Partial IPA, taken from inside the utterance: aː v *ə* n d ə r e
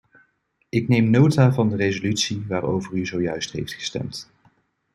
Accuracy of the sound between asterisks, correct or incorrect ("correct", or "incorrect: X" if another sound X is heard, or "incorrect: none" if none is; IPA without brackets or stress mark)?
incorrect: ɑ